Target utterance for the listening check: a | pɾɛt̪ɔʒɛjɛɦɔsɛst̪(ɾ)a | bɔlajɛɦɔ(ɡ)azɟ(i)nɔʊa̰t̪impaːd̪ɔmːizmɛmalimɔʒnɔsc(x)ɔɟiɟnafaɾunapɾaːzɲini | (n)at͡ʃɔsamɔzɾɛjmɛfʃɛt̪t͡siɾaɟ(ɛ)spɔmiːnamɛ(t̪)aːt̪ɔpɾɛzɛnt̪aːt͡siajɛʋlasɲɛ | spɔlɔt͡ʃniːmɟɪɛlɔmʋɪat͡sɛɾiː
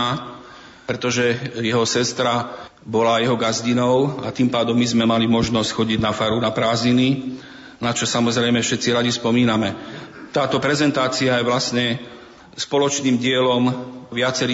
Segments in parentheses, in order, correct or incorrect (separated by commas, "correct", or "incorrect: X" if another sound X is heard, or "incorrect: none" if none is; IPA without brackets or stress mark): correct, correct, correct, correct, correct, incorrect: i, correct